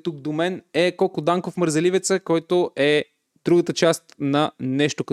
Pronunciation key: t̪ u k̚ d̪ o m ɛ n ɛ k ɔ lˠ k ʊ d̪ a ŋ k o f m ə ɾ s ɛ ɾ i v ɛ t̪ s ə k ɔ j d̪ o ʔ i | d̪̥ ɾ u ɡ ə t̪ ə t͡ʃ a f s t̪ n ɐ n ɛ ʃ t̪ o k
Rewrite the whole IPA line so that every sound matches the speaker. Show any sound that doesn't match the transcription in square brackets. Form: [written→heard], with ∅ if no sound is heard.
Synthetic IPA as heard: t̪ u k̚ d̪ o m ɛ n ɛ k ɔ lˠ k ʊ d̪ a ŋ k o f m ə ɾ [s→z] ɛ [ɾ→l] i v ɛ t̪ s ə k ɔ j [d̪→t̪] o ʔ [i→ɛ] | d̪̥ ɾ u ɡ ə t̪ ə t͡ʃ a [f→∅] s t̪ n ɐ n ɛ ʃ t̪ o k